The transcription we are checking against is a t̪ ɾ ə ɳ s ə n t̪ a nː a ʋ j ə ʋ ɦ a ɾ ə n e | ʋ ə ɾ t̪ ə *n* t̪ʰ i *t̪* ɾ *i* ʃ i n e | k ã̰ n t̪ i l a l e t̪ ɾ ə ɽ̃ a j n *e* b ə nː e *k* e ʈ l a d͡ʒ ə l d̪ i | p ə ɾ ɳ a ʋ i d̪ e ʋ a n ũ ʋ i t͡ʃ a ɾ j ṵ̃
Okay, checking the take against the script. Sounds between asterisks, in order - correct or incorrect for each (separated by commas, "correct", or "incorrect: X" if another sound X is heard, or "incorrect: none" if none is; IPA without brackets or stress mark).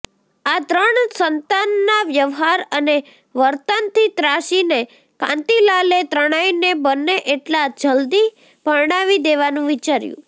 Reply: correct, correct, incorrect: a, correct, incorrect: ʔ